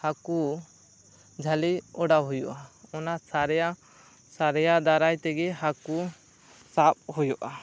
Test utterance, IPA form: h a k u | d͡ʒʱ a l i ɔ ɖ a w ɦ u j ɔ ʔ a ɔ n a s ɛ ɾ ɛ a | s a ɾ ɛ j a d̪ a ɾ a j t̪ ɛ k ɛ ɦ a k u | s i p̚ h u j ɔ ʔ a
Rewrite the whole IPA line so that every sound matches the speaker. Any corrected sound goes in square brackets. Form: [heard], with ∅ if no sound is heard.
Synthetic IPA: h a k u | d͡ʒʱ a l i ɔ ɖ a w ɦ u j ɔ ʔ a ɔ n a s [a] ɾ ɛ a | s a ɾ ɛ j a d̪ a ɾ a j t̪ ɛ [ɡ] ɛ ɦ a k u | s [a] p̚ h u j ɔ ʔ a